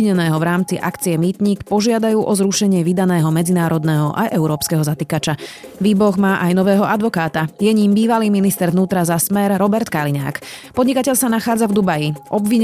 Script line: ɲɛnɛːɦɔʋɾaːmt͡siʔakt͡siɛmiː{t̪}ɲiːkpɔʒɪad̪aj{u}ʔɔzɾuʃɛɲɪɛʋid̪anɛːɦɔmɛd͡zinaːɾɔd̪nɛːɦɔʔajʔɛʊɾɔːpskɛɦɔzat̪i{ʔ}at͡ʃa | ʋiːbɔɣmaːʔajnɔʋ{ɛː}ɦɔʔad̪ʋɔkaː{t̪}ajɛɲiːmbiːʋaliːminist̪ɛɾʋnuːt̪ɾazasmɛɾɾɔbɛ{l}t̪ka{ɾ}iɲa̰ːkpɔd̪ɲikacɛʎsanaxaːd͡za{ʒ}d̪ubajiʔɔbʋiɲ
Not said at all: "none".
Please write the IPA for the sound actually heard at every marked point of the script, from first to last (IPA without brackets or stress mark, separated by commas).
t̪, uː, k, ɛː, t̪, ɾ, l, v